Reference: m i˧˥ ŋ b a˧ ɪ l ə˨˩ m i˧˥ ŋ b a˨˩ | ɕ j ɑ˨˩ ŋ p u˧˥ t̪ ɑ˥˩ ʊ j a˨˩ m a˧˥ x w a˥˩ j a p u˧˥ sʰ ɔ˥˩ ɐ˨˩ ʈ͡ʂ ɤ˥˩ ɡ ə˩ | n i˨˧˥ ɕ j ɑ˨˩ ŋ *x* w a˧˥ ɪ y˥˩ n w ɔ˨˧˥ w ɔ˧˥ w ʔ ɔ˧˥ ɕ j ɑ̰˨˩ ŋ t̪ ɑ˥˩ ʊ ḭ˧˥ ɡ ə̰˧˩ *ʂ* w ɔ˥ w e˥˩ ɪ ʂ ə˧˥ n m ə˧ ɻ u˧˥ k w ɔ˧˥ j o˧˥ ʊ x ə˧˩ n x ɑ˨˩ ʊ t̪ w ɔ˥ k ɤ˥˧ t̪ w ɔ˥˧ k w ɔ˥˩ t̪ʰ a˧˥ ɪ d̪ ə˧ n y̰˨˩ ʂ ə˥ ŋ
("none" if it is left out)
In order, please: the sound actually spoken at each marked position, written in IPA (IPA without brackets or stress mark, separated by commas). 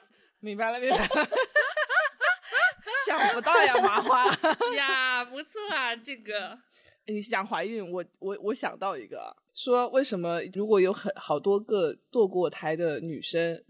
x, ʂ